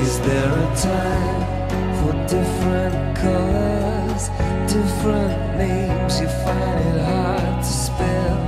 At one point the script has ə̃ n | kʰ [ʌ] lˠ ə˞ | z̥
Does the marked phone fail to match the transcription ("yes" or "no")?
no